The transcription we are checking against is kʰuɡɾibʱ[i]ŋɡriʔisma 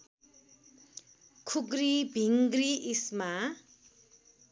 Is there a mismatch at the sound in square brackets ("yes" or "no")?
no